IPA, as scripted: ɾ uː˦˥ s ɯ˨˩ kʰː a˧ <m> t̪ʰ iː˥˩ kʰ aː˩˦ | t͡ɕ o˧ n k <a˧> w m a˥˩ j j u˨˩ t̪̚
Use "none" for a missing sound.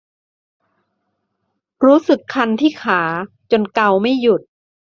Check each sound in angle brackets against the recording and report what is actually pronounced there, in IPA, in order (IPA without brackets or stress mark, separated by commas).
n, a˧